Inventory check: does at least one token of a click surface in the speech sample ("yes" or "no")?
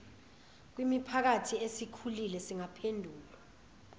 no